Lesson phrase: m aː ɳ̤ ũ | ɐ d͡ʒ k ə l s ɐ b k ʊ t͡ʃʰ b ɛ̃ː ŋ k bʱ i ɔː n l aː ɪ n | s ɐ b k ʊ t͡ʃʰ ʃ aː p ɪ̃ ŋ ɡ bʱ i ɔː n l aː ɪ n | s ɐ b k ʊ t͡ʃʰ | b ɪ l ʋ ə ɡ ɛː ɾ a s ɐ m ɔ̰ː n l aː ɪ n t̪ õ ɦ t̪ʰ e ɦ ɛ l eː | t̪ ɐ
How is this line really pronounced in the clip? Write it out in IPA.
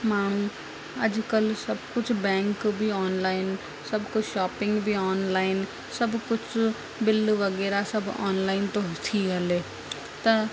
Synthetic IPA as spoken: m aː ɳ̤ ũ | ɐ d͡ʒ k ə l s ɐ b k ʊ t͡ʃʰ b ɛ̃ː ŋ k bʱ i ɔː n l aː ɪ n | s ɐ b k ʊ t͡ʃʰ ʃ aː p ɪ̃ ŋ ɡ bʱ i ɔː n l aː ɪ n | s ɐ b k ʊ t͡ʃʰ | b ɪ l ʋ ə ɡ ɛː ɾ a s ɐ b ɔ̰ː n l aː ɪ n t̪ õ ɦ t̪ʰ i ɦ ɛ l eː | t̪ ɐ